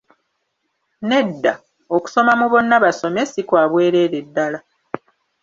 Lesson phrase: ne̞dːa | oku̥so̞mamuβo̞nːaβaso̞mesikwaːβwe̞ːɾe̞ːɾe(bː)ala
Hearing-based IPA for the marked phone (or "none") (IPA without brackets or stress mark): dː